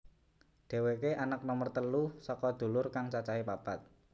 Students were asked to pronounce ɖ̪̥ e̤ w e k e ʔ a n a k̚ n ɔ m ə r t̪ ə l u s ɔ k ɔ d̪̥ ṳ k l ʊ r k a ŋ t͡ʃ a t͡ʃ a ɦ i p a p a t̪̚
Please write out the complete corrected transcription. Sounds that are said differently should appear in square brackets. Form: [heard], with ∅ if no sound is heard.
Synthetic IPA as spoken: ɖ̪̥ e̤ w e k e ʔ a n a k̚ n ɔ m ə r t̪ ə l u s ɔ k ɔ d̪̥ ṳ [∅] l ʊ r k a ŋ t͡ʃ a t͡ʃ a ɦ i p a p a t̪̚